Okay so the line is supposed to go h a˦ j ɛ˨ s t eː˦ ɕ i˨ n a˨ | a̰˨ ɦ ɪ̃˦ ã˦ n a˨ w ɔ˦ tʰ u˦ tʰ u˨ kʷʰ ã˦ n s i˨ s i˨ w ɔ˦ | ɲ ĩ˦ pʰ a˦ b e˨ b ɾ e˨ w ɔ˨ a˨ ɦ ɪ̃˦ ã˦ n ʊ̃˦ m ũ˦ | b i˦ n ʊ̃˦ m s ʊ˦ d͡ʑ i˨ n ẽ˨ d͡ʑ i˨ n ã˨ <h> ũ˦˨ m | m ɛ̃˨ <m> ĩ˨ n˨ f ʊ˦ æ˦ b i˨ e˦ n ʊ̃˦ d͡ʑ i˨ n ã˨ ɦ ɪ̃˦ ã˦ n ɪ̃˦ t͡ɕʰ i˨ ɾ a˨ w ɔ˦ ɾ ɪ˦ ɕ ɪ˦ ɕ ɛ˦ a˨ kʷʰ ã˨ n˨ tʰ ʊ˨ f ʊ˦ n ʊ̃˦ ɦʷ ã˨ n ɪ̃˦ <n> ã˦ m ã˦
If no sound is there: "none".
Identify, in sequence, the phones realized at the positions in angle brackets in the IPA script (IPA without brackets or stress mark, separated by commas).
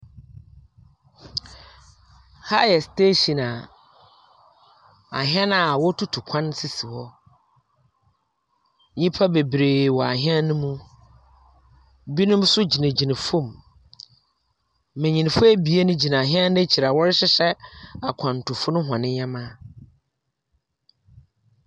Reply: f, ɲ, ɲ